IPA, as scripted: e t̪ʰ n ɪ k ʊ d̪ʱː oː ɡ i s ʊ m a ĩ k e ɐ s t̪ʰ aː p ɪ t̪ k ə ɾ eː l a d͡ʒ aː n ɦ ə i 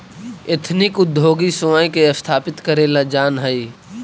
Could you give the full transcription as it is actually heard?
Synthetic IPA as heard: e t̪ʰ n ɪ k ʊ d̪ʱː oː ɡ i s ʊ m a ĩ k e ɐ s t̪ʰ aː p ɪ t̪ k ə ɾ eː l a d͡ʒ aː n ɦ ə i